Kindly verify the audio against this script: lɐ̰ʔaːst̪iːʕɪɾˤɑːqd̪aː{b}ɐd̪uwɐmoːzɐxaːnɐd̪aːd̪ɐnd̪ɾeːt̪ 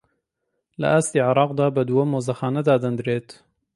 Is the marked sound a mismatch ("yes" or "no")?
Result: no